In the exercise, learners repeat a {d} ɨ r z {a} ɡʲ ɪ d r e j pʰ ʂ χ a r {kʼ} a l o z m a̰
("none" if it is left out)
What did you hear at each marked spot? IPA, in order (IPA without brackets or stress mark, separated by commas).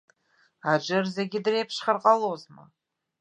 d͡ʒ, e, qʼ